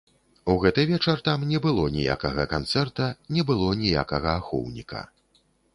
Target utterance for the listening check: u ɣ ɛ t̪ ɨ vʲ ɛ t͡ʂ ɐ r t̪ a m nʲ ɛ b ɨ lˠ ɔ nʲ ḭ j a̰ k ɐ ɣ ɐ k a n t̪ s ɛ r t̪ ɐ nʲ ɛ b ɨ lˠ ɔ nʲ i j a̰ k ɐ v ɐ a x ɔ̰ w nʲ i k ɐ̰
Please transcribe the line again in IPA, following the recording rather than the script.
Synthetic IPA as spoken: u ɣ ɛ t̪ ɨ vʲ ɛ t͡ʂ ɐ r t̪ a m nʲ ɛ b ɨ lˠ ɔ nʲ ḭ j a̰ k ɐ ɣ ɐ k a n t̪ s ɛ r t̪ ɐ nʲ ɛ b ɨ lˠ ɔ nʲ i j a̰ k ɐ ɣ ɐ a x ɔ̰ w nʲ i k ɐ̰